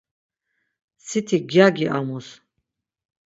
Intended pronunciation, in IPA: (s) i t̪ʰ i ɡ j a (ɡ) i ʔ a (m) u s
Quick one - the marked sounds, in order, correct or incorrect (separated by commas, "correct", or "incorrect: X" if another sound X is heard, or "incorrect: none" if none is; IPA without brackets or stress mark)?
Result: correct, correct, correct